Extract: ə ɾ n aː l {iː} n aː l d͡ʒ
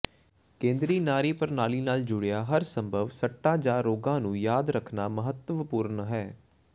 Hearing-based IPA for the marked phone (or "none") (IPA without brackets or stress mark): iː